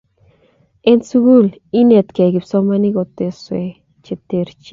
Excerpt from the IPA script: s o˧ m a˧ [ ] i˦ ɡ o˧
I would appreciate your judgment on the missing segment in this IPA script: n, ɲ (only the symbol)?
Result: n